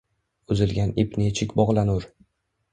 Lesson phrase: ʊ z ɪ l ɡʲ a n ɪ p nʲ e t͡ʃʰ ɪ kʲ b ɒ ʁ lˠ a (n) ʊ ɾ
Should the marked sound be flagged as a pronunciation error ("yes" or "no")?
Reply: no